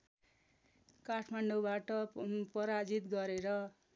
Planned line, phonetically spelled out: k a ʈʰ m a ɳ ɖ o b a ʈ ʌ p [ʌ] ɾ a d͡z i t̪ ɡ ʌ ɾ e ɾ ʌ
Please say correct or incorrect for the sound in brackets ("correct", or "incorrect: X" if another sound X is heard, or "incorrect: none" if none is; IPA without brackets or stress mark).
correct